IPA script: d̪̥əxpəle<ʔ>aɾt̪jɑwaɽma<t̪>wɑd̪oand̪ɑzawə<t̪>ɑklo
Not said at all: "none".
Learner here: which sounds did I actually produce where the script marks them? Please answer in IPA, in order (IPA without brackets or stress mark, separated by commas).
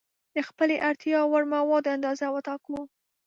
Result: ʔ, none, t̪